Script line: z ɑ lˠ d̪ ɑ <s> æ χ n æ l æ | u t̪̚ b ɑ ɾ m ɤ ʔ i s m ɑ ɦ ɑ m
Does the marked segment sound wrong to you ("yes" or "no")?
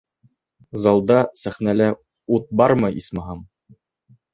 no